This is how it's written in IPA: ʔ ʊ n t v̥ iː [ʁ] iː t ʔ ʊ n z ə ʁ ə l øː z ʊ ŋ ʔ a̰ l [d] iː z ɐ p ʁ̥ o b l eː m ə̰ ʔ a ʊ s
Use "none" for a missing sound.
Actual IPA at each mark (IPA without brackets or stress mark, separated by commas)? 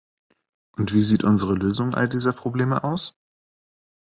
z, d